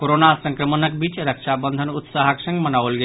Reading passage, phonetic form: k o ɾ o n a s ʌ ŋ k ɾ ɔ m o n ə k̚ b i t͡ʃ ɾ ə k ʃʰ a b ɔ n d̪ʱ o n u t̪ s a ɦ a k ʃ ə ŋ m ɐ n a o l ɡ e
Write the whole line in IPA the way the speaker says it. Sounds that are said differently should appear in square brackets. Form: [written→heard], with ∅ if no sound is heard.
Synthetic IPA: k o ɾ o n a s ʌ ŋ k ɾ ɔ m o n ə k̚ b i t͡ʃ ɾ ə k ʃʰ a b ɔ n d̪ʱ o n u t̪ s a ɦ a k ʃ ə ŋ m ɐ n a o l ɡ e